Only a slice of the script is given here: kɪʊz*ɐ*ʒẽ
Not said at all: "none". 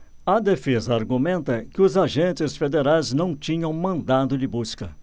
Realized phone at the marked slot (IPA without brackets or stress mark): a